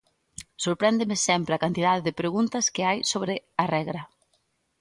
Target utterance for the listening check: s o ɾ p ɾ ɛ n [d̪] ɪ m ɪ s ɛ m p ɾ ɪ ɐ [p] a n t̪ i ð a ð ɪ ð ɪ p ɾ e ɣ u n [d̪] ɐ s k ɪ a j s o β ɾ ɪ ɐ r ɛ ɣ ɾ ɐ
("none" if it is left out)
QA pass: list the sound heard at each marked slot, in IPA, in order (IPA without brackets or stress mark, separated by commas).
d̪, k, t̪